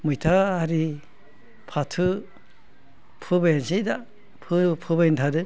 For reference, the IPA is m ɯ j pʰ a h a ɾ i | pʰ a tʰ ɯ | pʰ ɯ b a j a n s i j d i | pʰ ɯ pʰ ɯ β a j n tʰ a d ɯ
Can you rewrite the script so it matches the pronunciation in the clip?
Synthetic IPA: m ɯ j tʰ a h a ɾ i | pʰ a tʰ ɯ | pʰ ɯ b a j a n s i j d a | pʰ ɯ pʰ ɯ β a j n tʰ a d ɯ